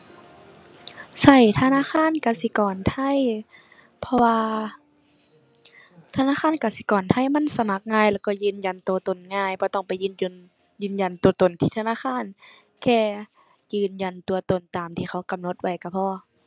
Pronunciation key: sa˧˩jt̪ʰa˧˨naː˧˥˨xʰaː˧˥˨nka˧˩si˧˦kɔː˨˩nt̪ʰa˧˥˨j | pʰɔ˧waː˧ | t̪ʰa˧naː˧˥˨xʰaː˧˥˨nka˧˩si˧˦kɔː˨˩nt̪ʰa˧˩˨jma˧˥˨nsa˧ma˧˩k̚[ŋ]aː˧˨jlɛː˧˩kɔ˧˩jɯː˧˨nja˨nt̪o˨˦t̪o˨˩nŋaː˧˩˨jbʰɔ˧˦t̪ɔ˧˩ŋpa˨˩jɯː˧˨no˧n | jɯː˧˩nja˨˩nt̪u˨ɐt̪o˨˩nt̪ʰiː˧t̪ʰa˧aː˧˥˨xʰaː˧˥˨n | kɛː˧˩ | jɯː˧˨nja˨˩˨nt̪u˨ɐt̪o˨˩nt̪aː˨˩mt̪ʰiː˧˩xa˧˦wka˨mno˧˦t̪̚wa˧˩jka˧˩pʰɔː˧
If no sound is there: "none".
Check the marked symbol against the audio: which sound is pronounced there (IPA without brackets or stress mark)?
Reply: ŋ